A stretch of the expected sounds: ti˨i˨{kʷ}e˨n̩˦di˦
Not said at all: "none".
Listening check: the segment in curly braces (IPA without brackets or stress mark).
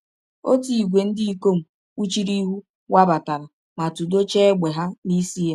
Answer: ɡʷ